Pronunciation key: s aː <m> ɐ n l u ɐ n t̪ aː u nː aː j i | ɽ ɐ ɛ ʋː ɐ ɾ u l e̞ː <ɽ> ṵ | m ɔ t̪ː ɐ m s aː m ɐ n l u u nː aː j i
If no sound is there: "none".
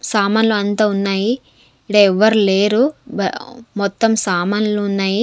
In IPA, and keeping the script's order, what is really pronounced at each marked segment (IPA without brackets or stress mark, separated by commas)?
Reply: m, ɾ